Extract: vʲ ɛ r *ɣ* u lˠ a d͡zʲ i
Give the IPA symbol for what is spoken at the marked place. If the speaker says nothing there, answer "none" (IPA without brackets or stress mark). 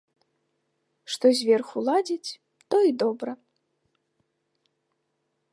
x